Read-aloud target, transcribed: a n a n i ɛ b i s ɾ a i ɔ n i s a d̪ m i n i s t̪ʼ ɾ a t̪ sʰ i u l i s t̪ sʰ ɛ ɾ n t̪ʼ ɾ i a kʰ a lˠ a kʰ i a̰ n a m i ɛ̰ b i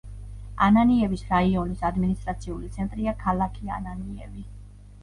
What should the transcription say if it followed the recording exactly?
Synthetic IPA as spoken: a n a n i ɛ v i s ɾ a i ɔ n i s a d̪ m i n i s t̪ʼ ɾ a t̪ sʰ i u l i t̪ sʰ ɛ n t̪ʼ ɾ i a kʰ a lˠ a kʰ i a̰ n a n i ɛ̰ v i